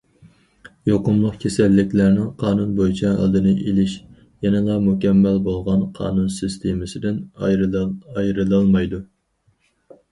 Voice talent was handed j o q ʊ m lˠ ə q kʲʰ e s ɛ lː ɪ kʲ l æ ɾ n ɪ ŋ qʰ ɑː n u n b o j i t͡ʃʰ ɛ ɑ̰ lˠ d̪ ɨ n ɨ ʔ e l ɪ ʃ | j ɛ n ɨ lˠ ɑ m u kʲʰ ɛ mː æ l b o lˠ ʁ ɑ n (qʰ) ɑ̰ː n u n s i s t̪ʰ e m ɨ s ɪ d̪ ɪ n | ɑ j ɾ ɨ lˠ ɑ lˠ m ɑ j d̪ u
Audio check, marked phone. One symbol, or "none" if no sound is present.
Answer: qʰ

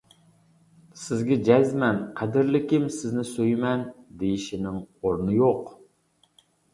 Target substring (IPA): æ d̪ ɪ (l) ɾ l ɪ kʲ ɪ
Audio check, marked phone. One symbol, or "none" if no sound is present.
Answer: none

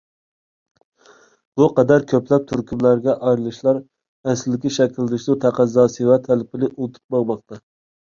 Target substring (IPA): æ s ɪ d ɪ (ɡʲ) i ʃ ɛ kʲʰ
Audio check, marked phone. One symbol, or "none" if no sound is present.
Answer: kʲ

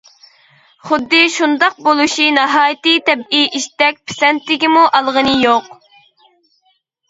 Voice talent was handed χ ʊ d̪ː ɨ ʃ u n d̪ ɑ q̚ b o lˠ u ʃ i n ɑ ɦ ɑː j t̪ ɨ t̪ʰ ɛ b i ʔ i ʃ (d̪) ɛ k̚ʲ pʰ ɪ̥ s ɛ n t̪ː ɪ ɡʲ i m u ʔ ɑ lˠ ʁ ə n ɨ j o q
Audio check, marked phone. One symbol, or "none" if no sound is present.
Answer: t̪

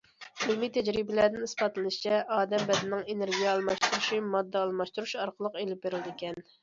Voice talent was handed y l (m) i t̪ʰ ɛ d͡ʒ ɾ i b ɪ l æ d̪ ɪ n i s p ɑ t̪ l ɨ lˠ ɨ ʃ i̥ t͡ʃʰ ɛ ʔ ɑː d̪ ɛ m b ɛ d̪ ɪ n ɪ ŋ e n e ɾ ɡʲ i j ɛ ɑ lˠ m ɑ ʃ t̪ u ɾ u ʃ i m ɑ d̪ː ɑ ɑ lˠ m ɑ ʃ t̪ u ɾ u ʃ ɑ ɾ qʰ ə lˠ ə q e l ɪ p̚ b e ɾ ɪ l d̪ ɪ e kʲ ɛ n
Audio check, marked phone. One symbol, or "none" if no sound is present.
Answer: m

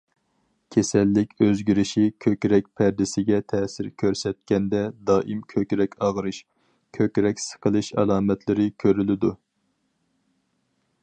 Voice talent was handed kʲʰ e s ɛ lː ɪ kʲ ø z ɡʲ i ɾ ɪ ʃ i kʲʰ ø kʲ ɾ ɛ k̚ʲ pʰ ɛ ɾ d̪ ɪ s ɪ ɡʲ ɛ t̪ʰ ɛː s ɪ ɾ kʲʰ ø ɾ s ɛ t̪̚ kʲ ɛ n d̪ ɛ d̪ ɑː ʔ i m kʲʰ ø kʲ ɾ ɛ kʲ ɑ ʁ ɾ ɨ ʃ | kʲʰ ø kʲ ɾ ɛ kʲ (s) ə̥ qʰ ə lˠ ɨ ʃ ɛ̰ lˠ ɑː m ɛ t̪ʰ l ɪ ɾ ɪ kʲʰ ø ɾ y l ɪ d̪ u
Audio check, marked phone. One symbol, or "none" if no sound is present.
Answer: s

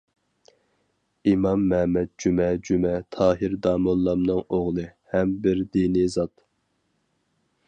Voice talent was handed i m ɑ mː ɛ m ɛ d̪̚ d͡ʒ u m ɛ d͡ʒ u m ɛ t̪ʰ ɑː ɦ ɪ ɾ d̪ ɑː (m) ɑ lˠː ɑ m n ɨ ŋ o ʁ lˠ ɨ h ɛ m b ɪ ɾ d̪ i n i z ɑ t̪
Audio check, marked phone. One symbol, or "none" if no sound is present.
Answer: m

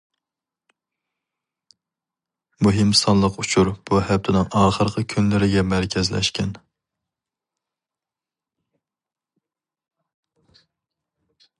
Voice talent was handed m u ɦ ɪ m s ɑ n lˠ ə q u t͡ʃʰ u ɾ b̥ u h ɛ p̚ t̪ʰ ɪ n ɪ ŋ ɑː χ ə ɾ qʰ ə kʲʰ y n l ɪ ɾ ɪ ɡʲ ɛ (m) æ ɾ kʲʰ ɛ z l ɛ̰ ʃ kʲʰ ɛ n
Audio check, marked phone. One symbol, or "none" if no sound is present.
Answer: m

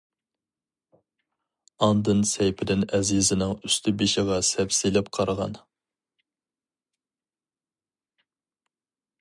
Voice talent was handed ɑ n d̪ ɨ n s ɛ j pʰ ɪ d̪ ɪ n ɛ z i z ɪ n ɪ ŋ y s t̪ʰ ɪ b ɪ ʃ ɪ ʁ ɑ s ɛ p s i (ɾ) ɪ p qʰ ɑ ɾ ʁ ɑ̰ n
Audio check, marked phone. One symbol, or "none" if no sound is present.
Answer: l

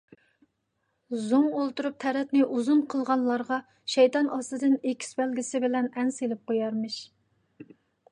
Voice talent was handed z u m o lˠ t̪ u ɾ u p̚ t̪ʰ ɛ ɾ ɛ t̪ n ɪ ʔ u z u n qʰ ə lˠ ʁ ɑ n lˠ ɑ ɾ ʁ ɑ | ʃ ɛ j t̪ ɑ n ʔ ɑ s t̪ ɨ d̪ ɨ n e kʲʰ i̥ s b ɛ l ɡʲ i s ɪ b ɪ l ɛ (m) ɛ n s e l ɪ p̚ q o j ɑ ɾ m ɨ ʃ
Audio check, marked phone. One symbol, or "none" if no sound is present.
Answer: n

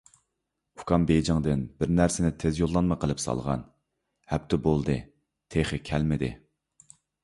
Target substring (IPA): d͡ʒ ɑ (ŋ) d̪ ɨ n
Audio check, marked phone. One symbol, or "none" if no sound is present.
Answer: ŋ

